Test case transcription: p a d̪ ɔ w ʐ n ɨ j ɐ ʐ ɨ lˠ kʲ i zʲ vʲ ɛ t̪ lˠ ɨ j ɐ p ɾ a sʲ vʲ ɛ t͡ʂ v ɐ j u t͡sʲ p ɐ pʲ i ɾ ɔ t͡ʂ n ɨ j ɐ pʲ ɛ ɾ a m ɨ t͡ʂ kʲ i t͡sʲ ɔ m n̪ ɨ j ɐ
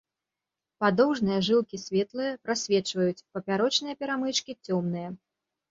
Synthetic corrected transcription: p a d̪ ɔ w ʐ n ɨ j ɐ ʐ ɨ lˠ kʲ i sʲ vʲ ɛ t̪ lˠ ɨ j ɐ p ɾ a sʲ vʲ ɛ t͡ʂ v ɐ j u t͡sʲ p ɐ pʲ a ɾ ɔ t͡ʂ n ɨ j ɐ pʲ ɛ ɾ a m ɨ t͡ʂ kʲ i t͡sʲ ɔ m n̪ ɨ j ɐ